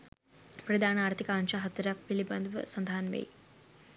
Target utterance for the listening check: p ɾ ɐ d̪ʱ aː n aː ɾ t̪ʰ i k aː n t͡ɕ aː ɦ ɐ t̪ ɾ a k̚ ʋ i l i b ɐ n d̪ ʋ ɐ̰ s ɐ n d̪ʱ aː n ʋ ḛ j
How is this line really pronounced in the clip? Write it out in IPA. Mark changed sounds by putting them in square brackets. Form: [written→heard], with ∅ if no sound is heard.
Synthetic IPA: p ɾ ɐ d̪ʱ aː n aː ɾ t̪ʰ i k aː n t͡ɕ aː ɦ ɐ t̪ ɾ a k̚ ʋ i l i b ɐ n d̪ ʋ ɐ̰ s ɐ n d̪ʱ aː n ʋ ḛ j